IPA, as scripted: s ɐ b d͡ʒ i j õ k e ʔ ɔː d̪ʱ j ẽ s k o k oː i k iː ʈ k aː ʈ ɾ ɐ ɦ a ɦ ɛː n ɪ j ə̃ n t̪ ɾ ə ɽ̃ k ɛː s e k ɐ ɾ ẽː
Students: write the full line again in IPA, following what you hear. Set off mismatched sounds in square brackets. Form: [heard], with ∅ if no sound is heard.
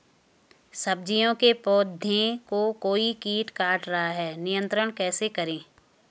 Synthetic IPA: s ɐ b d͡ʒ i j õ k e [p] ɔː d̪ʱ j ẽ [∅] k o k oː i k iː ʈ k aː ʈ ɾ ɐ ɦ a ɦ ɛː n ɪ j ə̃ n t̪ ɾ ə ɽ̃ k ɛː s e k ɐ ɾ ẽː

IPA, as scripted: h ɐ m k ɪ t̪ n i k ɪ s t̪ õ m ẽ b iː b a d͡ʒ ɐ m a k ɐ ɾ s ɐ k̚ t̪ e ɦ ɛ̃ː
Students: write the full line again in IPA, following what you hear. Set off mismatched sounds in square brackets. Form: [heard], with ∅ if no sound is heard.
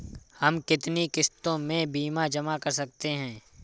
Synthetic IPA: h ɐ m k ɪ t̪ n i k ɪ s t̪ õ m ẽ b iː [m] a d͡ʒ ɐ m a k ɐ ɾ s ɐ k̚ t̪ e ɦ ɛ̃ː

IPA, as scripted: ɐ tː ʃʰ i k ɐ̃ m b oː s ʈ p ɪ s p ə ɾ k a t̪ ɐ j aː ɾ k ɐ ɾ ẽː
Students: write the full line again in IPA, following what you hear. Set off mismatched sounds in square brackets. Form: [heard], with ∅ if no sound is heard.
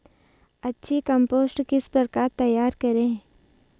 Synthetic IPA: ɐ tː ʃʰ i k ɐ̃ m [p] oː s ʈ [k] ɪ s p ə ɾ k a t̪ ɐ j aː ɾ k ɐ ɾ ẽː

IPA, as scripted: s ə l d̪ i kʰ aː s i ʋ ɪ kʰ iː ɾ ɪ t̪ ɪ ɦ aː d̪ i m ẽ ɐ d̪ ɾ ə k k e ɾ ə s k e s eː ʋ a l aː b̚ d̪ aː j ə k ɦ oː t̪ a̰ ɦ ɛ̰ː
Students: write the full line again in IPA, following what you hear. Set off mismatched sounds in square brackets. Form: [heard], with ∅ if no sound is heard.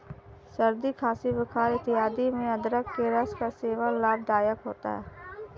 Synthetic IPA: s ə [ɾ] d̪ i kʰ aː s i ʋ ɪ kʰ [aː] ɾ ɪ t̪ ɪ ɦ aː d̪ i m ẽ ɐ d̪ ɾ ə k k e ɾ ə s k [a] s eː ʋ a l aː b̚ d̪ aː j ə k ɦ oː t̪ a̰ ɦ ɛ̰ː

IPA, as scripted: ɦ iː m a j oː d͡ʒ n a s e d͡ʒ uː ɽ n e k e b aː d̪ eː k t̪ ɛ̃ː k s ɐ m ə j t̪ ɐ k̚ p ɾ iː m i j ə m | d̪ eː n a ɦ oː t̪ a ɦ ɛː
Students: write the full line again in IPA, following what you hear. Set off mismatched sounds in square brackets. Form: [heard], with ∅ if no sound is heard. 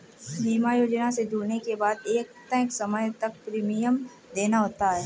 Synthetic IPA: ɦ iː m a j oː d͡ʒ n a s e d͡ʒ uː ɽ n e k e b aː d̪ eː k t̪ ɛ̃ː k s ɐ m ə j t̪ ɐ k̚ p ɾ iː m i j ə m | d̪ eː n a ɦ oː t̪ a ɦ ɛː

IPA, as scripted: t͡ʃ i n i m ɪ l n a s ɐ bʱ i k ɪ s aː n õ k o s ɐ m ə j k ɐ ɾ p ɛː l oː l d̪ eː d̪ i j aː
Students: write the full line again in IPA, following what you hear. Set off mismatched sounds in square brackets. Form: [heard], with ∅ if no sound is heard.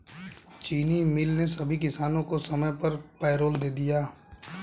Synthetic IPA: t͡ʃ [iː] n i m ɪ l n [e] s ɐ bʱ i k ɪ s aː n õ k o s ɐ m ə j [p] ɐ ɾ p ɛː [ɾ] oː l d̪ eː d̪ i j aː

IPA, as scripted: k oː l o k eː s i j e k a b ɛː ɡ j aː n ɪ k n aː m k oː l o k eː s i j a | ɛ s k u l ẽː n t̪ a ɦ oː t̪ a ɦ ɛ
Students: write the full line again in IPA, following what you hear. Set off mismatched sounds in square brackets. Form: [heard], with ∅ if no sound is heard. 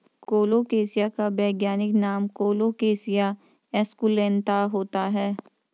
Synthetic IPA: k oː l o k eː s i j [a] k a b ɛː ɡ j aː n ɪ k n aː m k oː l o k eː s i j a | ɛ s k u l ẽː n t̪ a ɦ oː t̪ a ɦ [ɛː]

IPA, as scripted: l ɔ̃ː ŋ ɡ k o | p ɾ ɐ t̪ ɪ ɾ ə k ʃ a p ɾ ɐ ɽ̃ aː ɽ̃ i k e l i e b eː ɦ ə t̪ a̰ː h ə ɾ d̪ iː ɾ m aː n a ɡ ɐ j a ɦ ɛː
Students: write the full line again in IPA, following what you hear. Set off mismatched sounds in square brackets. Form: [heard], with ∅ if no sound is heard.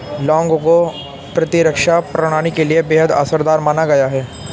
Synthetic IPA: l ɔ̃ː ŋ ɡ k o | p ɾ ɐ t̪ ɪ ɾ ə k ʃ a p ɾ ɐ ɽ̃ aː ɽ̃ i k e l i e b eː ɦ ə [d̪] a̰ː [s] ə ɾ d̪ [aː] ɾ m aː n a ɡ ɐ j a ɦ ɛː

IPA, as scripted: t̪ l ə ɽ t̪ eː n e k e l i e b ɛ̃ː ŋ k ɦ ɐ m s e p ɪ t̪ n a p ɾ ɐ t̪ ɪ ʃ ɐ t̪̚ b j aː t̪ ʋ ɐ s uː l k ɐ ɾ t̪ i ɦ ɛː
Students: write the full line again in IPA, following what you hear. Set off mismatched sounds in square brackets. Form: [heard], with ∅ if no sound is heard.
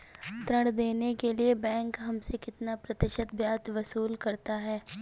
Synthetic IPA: t̪ [ɾ] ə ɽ [d̪] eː n e k e l i e b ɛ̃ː ŋ k ɦ ɐ m s e [k] ɪ t̪ n a p ɾ ɐ t̪ ɪ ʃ [ə] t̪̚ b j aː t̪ ʋ ɐ s uː l k ɐ ɾ t̪ [a] ɦ ɛː

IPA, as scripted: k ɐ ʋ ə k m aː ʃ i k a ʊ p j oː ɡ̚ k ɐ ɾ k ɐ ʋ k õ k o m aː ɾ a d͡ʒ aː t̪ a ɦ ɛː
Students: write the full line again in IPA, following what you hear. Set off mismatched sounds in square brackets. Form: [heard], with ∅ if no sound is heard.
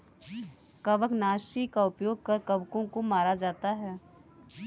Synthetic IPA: k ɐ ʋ ə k [n] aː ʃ i k a ʊ p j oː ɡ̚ k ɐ ɾ k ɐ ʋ k õ k o m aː ɾ a d͡ʒ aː t̪ a ɦ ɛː

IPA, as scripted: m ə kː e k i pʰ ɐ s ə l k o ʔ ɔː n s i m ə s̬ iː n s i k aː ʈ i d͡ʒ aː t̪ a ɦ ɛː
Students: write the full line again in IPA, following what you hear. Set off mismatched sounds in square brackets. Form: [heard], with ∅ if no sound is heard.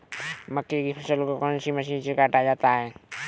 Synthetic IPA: m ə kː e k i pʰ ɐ s ə l k o [k] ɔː n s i m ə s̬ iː n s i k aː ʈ [a] d͡ʒ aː t̪ a ɦ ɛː

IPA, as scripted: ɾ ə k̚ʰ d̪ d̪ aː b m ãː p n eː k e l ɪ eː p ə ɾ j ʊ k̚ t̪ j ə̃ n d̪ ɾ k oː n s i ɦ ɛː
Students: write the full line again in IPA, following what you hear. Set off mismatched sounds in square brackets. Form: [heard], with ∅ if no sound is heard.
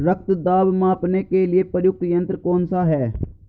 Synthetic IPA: ɾ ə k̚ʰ [t̪] d̪ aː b m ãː p n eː k e l ɪ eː p ə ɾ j ʊ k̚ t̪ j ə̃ n [t̪] ɾ k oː n s [a] ɦ ɛː

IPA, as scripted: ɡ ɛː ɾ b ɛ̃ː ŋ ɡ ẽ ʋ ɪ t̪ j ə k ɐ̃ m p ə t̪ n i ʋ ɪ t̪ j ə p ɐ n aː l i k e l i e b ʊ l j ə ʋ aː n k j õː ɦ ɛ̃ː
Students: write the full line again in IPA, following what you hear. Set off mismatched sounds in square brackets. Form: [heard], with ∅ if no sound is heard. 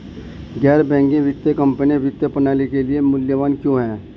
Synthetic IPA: ɡ ɛː ɾ b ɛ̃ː ŋ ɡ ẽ ʋ ɪ t̪ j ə k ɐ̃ m p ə [∅] n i ʋ ɪ t̪ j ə p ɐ n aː l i k e l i e [m] ʊ l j ə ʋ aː n k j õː ɦ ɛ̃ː

